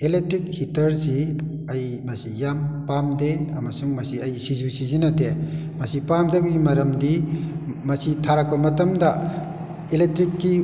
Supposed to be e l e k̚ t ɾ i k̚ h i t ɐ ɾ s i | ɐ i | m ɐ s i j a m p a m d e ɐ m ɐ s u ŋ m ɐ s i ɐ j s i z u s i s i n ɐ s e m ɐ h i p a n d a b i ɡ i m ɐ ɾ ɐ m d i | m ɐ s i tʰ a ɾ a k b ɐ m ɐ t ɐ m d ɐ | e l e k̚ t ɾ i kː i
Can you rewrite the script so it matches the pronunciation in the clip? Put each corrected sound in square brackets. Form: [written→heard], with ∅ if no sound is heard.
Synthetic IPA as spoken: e l e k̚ t ɾ i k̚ h i t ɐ ɾ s i | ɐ [i→j] | m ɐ s i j a m p a m d e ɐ m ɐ s u ŋ m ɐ s i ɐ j s i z u s i [s→z] i n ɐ [s→t] e m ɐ [h→s] i p a [n→m] d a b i ɡ i m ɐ ɾ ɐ m d i | m ɐ s i tʰ a ɾ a k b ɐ m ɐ t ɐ m d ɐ | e l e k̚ t ɾ i kː i

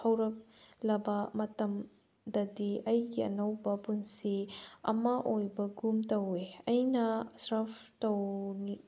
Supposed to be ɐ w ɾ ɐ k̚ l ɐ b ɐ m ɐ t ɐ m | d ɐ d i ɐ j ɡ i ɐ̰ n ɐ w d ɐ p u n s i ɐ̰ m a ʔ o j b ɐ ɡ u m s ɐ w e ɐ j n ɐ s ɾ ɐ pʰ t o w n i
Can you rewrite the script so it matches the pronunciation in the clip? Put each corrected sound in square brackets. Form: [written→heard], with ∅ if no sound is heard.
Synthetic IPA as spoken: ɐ w ɾ ɐ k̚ l ɐ b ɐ m ɐ t ɐ m | d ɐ d i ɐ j ɡ i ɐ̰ n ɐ w [d→b] ɐ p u n s i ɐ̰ m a ʔ o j b ɐ ɡ u m [s→t] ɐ w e ɐ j n ɐ s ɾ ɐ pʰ t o w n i

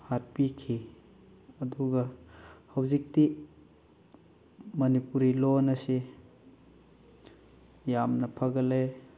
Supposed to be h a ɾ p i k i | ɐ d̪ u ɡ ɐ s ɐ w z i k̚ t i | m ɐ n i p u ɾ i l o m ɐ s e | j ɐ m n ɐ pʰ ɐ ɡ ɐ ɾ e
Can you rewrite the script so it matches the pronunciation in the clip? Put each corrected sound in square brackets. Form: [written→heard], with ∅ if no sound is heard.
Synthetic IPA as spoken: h a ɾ p i [k→kʰ] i | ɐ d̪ u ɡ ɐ [s→h] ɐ w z i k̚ t i | m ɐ n i p u ɾ i l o [m→n] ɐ s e | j [ɐ→a] m n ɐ pʰ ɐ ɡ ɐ [ɾ→l] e

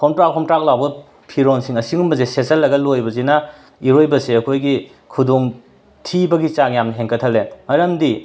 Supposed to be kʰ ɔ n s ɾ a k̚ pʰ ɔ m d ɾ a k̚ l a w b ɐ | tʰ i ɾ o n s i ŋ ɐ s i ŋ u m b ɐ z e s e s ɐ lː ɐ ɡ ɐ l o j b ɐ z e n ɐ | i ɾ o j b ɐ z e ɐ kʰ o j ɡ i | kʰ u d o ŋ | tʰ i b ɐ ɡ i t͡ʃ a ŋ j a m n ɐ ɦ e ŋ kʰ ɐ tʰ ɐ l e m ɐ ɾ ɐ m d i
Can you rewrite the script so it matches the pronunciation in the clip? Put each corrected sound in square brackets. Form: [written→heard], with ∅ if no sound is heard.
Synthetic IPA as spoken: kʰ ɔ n [s→t] ɾ a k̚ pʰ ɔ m [d→t] ɾ a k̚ l a w b ɐ | [tʰ→pʰ] i ɾ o n s i ŋ ɐ s i ŋ u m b ɐ z e s e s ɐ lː ɐ ɡ ɐ l o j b ɐ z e n ɐ | i ɾ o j b ɐ [z→s] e ɐ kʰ o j ɡ i | kʰ u d o ŋ | tʰ i b ɐ ɡ i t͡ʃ a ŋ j a m n ɐ ɦ e ŋ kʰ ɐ tʰ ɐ l e m ɐ ɾ ɐ m d i

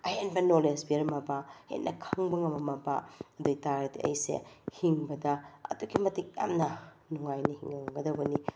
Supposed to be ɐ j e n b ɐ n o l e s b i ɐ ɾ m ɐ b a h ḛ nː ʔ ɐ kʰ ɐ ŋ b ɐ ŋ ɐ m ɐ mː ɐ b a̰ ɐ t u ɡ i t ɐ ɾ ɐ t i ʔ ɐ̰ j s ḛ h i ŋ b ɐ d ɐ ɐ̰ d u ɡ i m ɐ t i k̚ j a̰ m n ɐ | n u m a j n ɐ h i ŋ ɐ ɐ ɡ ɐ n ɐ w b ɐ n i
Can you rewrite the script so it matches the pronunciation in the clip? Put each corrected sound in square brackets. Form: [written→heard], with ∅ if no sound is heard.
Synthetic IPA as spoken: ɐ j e n b ɐ n o l e s b i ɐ ɾ m ɐ b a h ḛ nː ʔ ɐ kʰ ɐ ŋ b ɐ ŋ ɐ m ɐ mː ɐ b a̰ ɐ [t→d] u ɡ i t [ɐ→a] ɾ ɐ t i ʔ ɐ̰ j s ḛ h i ŋ b ɐ d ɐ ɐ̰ d u ɡ i m ɐ t i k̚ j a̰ m n ɐ | n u [m→ŋ] a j n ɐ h i ŋ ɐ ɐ ɡ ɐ [n→d] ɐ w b ɐ n i

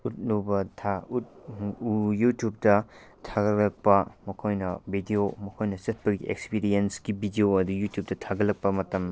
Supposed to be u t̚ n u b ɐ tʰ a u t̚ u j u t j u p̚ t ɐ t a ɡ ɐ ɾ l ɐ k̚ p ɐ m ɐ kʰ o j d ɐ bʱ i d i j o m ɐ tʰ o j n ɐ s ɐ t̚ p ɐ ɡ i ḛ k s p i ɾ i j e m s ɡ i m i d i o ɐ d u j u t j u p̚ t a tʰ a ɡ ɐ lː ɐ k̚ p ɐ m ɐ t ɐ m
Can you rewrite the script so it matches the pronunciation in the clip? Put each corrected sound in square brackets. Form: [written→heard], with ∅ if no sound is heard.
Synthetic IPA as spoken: u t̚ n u b ɐ tʰ a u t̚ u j u t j u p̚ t ɐ [t→tʰ] a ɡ ɐ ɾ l ɐ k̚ p ɐ m ɐ kʰ o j [d→n] ɐ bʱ i d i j o m ɐ [tʰ→kʰ] o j n ɐ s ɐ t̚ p ɐ ɡ i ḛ k s p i ɾ i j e [m→n] s ɡ i [m→b] i d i o ɐ d u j u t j u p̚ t [a→ɐ] tʰ a ɡ ɐ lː ɐ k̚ p ɐ m ɐ t ɐ m

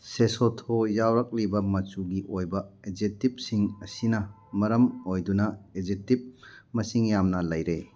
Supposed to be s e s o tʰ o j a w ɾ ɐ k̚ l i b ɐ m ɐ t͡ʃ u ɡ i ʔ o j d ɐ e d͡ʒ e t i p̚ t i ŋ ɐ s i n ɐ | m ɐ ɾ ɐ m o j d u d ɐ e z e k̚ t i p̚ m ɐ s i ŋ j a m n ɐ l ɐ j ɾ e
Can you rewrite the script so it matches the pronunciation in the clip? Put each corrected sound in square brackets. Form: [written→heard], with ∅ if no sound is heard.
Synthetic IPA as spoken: s e s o tʰ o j a w ɾ ɐ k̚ l i b ɐ m ɐ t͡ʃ u ɡ i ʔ o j [d→b] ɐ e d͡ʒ e t i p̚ [t→s] i ŋ ɐ s i n ɐ | m ɐ ɾ ɐ m o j d u [d→n] ɐ e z e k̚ t i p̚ m ɐ s i ŋ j a m n ɐ l ɐ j ɾ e

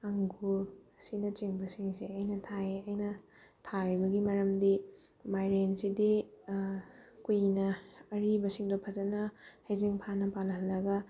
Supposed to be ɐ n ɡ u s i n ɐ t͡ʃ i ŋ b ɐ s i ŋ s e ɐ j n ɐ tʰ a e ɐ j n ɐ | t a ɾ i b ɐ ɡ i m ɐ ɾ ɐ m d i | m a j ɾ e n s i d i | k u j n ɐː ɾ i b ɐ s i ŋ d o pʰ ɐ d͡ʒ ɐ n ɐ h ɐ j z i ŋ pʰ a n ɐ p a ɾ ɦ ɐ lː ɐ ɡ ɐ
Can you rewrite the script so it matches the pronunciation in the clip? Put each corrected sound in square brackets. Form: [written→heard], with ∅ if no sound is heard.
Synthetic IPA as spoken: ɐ [n→ŋ] ɡ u s i n ɐ t͡ʃ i ŋ b ɐ s i ŋ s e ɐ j n ɐ tʰ a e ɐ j n ɐ | [t→tʰ] a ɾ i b ɐ ɡ i m ɐ ɾ ɐ m d i | m a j ɾ e n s i d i | k u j n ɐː ɾ i b ɐ s i ŋ d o pʰ ɐ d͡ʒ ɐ n ɐ h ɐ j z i ŋ pʰ a n ɐ p a [ɾ→l] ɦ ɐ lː ɐ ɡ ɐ

